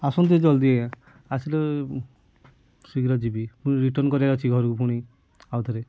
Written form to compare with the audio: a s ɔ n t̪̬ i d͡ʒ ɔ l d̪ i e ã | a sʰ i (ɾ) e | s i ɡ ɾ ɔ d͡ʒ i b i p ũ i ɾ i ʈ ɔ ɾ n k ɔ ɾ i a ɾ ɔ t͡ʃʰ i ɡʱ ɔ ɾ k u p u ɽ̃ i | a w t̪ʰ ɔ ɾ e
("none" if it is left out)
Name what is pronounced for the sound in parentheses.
l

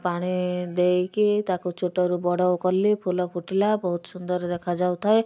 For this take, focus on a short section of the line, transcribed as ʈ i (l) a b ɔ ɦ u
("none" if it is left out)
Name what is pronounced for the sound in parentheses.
l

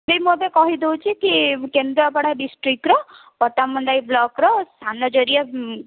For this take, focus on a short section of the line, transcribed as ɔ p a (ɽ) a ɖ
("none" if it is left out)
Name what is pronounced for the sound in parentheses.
ɽ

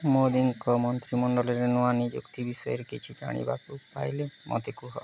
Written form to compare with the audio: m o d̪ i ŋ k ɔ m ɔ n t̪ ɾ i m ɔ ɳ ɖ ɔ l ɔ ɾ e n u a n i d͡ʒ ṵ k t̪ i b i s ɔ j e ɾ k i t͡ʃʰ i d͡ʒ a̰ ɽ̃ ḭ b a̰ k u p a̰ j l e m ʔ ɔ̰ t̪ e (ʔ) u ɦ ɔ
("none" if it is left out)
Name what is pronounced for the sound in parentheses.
k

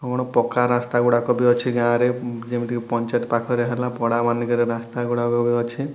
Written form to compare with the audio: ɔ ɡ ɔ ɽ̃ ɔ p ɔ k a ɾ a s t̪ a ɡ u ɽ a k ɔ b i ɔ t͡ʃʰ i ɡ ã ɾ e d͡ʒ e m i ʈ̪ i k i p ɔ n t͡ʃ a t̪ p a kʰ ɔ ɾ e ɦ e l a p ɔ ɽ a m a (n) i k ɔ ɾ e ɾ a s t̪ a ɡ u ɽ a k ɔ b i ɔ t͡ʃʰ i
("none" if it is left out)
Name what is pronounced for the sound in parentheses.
n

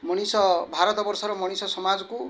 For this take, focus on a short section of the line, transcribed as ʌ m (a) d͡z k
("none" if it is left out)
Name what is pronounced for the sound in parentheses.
a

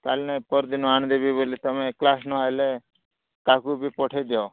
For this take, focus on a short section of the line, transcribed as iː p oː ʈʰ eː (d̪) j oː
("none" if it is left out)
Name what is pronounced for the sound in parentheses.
d̪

